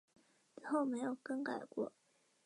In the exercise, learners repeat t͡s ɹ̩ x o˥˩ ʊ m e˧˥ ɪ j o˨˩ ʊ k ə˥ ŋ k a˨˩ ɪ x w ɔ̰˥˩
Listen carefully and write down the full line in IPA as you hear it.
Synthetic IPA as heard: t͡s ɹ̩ x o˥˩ ʊ m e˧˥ ɪ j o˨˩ ʊ k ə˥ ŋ k a˨˩ ɪ k w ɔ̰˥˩